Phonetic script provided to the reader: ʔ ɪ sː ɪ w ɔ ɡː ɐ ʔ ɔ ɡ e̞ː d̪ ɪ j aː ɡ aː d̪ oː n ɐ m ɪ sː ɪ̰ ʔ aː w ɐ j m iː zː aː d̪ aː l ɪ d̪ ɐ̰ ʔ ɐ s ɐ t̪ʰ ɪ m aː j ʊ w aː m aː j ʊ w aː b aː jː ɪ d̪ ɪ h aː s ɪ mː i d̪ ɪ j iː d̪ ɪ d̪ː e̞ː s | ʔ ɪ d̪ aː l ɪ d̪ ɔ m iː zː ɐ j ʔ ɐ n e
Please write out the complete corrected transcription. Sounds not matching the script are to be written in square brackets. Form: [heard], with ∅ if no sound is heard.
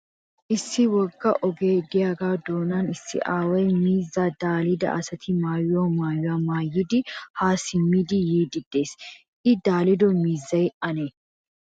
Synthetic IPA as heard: ʔ ɪ sː ɪ w ɔ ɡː ɐ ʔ ɔ ɡ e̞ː d̪ ɪ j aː ɡ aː d̪ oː n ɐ [n] ɪ sː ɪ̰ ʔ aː w ɐ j m iː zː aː d̪ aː l ɪ d̪ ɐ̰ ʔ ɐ s ɐ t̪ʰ ɪ m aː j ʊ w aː m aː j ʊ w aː [m] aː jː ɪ d̪ ɪ h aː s ɪ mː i d̪ ɪ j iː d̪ ɪ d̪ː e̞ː s | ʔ ɪ d̪ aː l ɪ d̪ ɔ m iː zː ɐ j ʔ ɐ n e

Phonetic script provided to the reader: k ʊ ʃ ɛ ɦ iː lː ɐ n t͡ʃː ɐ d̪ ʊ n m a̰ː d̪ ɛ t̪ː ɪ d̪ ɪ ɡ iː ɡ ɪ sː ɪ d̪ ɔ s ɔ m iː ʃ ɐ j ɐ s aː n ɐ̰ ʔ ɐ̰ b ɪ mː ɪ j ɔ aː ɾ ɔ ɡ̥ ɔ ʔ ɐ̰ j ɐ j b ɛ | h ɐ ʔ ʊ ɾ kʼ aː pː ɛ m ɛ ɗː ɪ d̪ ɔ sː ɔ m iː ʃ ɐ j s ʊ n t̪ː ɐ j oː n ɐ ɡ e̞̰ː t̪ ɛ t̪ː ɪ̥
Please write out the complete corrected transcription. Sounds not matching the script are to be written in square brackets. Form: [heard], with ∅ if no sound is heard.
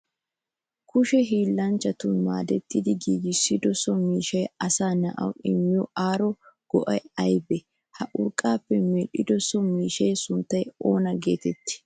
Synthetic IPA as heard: k ʊ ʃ ɛ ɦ iː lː ɐ n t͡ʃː ɐ [t̪] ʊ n m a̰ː d̪ ɛ t̪ː ɪ d̪ ɪ ɡ iː ɡ ɪ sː ɪ d̪ ɔ s ɔ m iː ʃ ɐ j ɐ s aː n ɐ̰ ʔ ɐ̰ [w] ɪ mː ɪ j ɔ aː ɾ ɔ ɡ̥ ɔ ʔ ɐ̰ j ɐ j b ɛ | h ɐ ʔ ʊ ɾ kʼ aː pː ɛ m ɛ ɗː ɪ d̪ ɔ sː ɔ m iː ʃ ɐ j s ʊ n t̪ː ɐ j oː n ɐ ɡ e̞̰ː t̪ ɛ t̪ː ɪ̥

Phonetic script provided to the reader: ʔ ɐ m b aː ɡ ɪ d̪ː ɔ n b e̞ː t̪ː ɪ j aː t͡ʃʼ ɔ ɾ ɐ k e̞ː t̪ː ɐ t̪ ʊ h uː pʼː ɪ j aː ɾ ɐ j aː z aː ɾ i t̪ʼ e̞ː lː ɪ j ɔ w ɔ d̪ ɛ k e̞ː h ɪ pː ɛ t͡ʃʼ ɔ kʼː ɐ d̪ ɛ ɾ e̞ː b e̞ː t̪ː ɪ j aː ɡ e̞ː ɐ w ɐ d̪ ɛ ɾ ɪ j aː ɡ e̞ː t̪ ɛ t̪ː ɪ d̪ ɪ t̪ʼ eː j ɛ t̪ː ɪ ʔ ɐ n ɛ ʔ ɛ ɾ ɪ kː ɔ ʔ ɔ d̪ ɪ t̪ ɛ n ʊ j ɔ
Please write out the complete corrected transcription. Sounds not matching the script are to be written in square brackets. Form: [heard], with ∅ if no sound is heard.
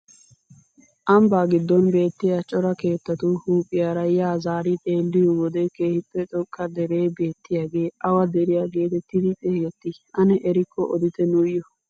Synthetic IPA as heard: ʔ ɐ m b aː ɡ ɪ d̪ː ɔ n b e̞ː t̪ː ɪ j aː t͡ʃʼ ɔ ɾ ɐ k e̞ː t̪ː ɐ t̪ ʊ h uː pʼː ɪ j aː ɾ ɐ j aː z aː ɾ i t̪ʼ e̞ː lː ɪ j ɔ w ɔ d̪ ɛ k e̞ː h ɪ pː ɛ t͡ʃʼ ɔ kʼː ɐ d̪ ɛ ɾ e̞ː b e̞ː t̪ː ɪ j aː ɡ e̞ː ɐ w ɐ d̪ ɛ ɾ ɪ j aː ɡ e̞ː t̪ ɛ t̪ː ɪ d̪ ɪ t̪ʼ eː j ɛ t̪ː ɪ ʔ ɐ n ɛ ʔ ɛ ɾ ɪ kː ɔ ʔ ɔ d̪ ɪ t̪ ɛ n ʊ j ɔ

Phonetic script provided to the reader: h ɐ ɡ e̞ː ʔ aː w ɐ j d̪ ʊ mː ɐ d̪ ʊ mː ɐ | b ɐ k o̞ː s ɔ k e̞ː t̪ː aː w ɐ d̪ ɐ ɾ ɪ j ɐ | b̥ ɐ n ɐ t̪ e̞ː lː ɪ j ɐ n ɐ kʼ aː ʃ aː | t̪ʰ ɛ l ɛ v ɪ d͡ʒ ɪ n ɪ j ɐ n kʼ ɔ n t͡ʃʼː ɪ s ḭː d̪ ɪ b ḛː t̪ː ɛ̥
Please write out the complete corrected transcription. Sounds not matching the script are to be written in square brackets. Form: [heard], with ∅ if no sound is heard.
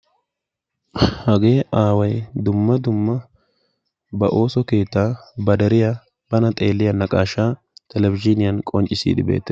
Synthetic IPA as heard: h ɐ ɡ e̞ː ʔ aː w ɐ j d̪ ʊ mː ɐ d̪ ʊ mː ɐ | b ɐ [ʔ] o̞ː s ɔ k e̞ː t̪ː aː [b] ɐ d̪ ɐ ɾ ɪ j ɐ | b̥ ɐ n ɐ [t̪ʼ] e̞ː lː ɪ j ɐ n ɐ kʼ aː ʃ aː | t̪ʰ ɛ l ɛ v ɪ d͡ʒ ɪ n ɪ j ɐ n kʼ ɔ n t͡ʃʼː ɪ s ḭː d̪ ɪ b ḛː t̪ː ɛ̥

